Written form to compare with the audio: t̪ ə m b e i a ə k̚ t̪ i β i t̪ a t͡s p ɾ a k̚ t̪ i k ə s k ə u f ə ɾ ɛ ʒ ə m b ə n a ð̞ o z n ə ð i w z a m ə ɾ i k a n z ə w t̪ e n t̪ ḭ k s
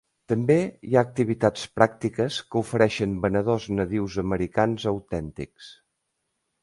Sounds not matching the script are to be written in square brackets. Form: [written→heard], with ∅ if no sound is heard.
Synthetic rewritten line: t̪ ə m b e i a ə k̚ t̪ i β i t̪ a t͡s p ɾ a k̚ t̪ i k ə s k ə u f ə ɾ ɛ [ʒ→ʃ] ə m b ə n [a→ə] ð̞ o z n ə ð i w z [a→ə] m ə ɾ i k a n z ə w t̪ [e→ɛ] n t̪ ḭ k s